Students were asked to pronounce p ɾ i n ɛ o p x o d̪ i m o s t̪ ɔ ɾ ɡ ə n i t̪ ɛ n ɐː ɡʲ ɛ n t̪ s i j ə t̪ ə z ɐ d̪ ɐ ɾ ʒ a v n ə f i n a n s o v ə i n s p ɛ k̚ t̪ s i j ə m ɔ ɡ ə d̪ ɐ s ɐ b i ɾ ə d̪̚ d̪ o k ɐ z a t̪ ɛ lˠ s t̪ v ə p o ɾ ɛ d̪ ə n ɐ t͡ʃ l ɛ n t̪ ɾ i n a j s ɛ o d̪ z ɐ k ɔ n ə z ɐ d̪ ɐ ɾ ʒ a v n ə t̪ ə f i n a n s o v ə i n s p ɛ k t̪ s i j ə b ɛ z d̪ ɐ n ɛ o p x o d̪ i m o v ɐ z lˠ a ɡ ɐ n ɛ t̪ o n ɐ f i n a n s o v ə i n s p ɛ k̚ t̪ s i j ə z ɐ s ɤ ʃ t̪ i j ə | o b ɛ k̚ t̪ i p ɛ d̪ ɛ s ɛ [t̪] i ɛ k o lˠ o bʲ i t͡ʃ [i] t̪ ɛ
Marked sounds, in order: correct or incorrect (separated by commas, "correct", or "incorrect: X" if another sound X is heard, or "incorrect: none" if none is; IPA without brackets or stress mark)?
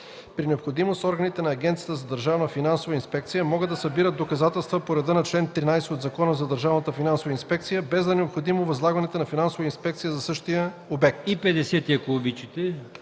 correct, correct